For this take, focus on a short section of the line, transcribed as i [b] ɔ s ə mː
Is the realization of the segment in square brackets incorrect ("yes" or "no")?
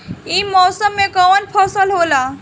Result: yes